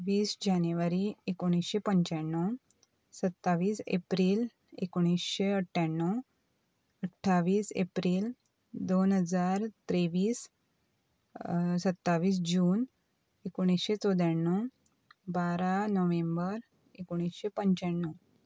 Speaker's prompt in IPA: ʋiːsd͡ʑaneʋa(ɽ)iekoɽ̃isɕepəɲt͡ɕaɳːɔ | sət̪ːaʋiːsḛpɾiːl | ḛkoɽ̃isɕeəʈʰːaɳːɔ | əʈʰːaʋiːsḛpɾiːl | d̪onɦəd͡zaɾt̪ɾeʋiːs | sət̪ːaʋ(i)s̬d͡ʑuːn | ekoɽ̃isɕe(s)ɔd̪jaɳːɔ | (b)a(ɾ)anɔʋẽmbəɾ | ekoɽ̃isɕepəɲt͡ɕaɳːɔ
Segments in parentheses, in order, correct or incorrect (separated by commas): incorrect, incorrect, incorrect, correct, correct